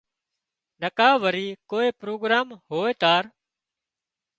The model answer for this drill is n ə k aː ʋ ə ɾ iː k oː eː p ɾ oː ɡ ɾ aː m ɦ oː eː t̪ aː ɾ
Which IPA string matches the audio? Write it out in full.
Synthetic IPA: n ə k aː ʋ ə ɾ iː k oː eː p ɾ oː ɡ ɾ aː m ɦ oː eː t̪ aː ɾ